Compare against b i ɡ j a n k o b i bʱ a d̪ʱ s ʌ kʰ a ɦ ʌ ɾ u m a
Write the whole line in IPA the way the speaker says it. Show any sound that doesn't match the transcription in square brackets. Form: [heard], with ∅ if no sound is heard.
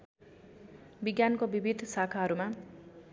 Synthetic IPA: b i ɡ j a n k o b i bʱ [i] d̪ʱ s [a] kʰ a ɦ ʌ ɾ u m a